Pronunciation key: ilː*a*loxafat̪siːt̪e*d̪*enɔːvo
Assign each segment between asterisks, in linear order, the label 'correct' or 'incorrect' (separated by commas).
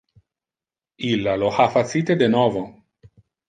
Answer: correct, correct